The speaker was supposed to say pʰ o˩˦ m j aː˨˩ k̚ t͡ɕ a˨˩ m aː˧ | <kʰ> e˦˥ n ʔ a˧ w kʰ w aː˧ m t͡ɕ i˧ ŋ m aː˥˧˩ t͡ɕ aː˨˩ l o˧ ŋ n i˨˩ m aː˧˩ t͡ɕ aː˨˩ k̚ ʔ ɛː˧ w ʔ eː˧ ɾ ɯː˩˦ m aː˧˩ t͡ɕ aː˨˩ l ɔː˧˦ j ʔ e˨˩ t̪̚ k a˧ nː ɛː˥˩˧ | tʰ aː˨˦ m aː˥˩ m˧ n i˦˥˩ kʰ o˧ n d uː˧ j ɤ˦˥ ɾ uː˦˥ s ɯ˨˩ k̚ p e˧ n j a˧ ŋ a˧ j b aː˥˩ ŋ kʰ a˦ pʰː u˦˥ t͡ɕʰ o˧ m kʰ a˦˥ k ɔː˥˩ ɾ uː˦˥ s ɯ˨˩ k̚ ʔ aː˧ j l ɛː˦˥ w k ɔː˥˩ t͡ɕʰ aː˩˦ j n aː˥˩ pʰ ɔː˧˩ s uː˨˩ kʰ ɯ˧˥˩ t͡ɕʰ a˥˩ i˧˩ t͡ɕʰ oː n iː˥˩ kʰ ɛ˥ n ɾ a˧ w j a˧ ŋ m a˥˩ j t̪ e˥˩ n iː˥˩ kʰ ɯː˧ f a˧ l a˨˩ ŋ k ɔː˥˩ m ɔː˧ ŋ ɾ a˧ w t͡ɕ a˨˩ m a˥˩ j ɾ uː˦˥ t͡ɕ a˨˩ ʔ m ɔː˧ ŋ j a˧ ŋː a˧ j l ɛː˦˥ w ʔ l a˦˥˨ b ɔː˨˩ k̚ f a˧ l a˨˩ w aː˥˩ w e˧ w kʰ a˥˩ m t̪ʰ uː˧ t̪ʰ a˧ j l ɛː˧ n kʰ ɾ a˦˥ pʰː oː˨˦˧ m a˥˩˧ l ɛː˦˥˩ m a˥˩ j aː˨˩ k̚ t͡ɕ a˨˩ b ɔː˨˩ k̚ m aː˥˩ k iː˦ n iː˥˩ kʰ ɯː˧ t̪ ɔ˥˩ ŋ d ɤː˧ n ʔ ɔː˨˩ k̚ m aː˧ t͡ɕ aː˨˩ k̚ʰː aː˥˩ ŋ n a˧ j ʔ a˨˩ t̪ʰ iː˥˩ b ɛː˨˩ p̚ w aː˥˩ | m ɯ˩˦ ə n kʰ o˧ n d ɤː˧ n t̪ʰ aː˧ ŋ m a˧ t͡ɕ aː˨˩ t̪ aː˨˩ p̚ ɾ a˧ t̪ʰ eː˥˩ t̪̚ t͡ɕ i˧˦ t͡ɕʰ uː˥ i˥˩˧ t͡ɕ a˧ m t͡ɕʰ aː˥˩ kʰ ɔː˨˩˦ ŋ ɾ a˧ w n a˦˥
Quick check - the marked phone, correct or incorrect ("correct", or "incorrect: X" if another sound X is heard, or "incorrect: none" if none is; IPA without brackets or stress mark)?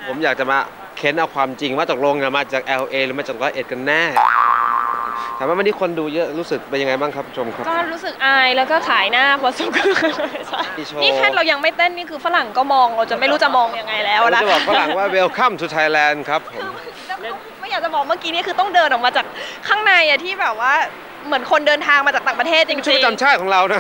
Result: correct